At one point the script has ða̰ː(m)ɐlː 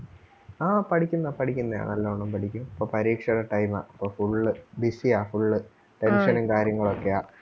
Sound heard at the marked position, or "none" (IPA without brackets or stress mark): ɳ